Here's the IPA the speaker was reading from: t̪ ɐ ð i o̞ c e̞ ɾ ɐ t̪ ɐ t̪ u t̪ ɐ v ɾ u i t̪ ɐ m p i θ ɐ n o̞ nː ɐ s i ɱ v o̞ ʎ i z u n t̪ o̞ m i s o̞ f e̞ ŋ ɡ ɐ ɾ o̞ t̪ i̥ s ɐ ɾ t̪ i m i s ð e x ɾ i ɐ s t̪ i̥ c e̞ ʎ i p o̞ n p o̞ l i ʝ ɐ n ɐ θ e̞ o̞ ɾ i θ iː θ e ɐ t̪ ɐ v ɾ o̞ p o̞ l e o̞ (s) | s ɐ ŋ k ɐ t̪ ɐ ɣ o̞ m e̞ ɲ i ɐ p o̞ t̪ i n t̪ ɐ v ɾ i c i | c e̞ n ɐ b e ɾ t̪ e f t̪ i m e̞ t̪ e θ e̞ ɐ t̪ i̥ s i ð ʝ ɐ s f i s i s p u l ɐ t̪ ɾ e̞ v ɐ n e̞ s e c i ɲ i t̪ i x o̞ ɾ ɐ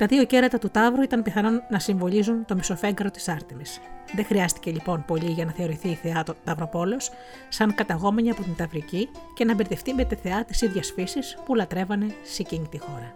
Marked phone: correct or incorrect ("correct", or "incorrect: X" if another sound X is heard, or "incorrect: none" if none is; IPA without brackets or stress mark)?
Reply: correct